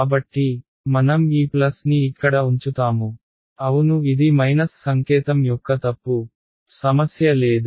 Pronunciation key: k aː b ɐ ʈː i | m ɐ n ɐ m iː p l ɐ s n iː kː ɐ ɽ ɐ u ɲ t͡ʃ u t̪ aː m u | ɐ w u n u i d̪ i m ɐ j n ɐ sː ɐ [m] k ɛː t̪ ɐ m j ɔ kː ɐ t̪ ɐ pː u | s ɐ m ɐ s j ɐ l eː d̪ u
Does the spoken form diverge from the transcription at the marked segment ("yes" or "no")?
yes